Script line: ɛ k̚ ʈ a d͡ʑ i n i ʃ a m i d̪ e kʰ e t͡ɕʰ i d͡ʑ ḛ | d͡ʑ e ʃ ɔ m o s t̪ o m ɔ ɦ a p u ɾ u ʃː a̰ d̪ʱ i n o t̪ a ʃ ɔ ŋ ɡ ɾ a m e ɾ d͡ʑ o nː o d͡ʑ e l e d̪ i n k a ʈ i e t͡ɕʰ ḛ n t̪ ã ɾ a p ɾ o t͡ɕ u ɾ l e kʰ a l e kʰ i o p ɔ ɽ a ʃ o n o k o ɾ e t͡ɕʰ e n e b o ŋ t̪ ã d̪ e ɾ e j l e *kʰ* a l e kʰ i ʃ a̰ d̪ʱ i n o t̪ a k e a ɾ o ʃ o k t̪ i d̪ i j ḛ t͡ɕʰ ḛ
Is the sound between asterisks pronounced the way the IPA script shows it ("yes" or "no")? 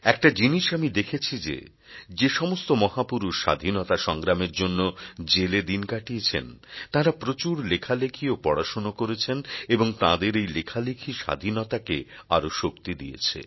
yes